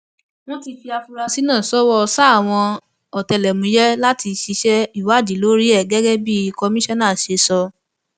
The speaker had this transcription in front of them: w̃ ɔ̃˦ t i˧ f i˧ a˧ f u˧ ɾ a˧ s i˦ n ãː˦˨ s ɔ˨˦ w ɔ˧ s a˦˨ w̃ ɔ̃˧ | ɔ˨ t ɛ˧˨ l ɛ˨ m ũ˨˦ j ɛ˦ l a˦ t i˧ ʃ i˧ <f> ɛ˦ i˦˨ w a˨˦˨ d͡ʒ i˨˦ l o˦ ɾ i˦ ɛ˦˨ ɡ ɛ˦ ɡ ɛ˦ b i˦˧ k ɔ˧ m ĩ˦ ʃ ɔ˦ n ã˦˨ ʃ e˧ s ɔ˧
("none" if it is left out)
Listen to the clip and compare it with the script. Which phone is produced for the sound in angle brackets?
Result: ʃ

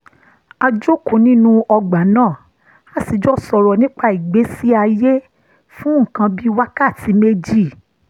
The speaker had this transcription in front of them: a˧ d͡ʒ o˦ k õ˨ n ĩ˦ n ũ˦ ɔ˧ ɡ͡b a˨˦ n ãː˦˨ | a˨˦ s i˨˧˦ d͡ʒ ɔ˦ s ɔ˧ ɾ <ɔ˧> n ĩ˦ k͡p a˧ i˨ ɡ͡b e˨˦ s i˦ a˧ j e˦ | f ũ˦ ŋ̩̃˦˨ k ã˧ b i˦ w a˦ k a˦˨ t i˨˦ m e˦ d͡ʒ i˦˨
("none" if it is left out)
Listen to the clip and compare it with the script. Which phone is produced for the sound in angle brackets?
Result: ɔ˧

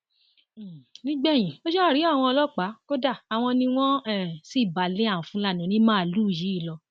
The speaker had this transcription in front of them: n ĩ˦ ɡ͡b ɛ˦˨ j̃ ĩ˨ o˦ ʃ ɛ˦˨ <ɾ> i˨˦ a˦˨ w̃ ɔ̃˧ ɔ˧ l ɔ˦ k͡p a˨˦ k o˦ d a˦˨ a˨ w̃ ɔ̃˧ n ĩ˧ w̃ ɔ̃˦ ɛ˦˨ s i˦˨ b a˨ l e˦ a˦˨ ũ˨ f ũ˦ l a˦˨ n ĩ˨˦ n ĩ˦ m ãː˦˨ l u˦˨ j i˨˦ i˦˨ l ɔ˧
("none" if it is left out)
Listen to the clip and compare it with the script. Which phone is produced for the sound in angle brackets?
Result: ɾ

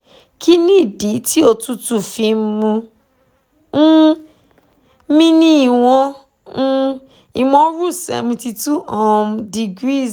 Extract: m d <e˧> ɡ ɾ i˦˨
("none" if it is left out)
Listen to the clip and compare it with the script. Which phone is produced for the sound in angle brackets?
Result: i˧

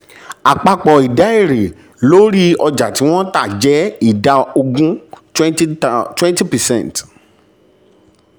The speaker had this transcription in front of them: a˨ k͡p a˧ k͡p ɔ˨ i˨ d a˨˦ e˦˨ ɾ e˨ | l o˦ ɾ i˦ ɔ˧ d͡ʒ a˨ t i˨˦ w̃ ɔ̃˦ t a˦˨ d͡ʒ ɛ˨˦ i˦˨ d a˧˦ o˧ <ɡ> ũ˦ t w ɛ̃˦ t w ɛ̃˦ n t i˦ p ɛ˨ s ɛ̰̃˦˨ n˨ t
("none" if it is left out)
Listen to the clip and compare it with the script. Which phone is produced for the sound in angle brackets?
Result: ɡ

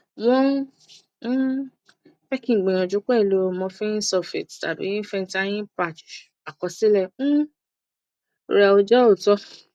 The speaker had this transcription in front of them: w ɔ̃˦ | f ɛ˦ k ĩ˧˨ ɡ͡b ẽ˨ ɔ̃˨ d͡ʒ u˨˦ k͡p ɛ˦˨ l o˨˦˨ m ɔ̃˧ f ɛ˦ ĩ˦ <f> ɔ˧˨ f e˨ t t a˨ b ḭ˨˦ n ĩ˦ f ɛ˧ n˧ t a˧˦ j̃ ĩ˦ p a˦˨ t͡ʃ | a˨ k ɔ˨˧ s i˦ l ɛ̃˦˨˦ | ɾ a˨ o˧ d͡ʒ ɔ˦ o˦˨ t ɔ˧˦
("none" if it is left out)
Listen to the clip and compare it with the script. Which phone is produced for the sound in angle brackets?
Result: s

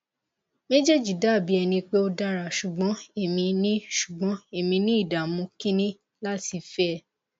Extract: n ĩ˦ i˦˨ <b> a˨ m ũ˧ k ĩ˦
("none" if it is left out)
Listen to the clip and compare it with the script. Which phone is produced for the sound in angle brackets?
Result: d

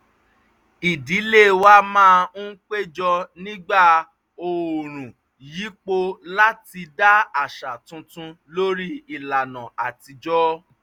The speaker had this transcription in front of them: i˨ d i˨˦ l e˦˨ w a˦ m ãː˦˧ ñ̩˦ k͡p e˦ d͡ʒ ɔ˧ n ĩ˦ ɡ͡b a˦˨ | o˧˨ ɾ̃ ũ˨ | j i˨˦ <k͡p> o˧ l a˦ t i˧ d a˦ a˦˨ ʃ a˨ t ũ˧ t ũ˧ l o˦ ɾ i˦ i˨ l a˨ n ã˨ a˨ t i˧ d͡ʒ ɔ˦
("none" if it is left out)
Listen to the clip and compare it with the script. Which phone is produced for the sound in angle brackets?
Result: k͡p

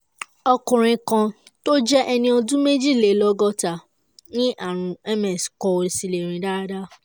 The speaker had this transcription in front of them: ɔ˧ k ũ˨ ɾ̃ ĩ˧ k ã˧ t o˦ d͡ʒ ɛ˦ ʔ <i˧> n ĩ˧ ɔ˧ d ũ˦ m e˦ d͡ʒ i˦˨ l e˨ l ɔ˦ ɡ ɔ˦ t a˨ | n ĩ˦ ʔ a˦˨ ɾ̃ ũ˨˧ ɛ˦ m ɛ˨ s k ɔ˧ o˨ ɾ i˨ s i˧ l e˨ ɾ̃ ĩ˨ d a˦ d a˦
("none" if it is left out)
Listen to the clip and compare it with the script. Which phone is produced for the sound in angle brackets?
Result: ɛ˧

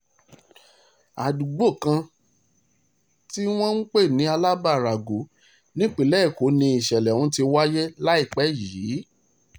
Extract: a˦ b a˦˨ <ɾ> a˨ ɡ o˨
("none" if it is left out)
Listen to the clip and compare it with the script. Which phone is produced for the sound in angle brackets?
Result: ɾ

